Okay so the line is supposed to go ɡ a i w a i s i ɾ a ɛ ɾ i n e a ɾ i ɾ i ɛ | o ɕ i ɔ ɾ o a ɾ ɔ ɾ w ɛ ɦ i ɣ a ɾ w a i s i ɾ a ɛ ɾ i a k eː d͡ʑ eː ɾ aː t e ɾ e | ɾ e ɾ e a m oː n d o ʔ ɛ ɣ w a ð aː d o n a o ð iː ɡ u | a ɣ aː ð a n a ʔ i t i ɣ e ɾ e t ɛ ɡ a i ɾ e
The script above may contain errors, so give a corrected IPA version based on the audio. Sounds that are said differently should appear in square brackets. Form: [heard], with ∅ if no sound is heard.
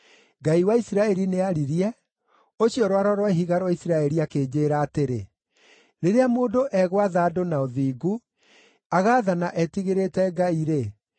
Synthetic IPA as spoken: ɡ a i w a i s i ɾ a ɛ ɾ i n e a ɾ i ɾ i ɛ | o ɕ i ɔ ɾ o a ɾ ɔ ɾ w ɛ ɦ i ɣ a ɾ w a i s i ɾ a ɛ ɾ i a k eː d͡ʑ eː ɾ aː t e ɾ e | ɾ e ɾ e a m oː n d o ʔ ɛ ɣ w a ð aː d o n a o ð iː ɡ u | a ɣ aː ð a n a ʔ [ɛ] t i ɣ e ɾ e t ɛ ɡ a i ɾ e